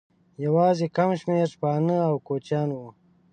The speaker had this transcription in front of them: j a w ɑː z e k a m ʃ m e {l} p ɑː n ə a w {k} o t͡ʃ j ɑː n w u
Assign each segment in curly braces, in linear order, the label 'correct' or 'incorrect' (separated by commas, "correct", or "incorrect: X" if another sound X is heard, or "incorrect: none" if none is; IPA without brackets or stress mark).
incorrect: ɾ, correct